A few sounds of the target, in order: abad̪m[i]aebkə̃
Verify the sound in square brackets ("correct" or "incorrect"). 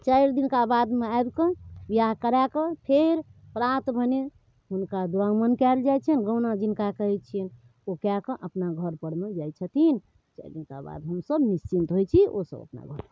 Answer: incorrect